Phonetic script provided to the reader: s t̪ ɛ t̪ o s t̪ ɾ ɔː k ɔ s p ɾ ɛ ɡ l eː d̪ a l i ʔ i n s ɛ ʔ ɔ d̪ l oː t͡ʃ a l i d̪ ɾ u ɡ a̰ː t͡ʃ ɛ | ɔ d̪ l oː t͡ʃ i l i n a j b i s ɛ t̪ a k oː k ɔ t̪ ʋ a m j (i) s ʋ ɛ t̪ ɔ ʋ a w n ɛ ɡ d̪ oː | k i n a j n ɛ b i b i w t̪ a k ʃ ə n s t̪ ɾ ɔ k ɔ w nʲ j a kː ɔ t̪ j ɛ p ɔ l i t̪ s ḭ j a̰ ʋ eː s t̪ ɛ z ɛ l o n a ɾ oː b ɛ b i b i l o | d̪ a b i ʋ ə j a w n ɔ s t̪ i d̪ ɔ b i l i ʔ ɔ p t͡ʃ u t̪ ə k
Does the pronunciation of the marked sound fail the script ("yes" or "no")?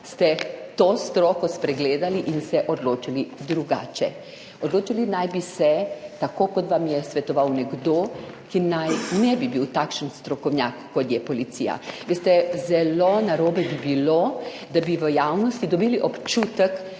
yes